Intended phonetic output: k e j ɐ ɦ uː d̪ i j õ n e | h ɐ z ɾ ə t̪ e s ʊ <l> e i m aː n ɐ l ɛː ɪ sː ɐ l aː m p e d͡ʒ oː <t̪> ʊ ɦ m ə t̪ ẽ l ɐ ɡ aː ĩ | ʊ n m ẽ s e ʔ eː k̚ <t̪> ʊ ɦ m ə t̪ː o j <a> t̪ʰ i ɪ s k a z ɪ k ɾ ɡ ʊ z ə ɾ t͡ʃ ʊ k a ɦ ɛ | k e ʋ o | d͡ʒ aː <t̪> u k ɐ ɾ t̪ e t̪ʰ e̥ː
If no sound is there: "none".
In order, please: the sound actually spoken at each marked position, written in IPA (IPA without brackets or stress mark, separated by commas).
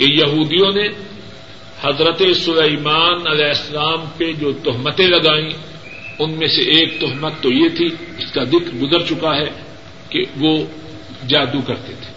l, t̪, t̪, e, d̪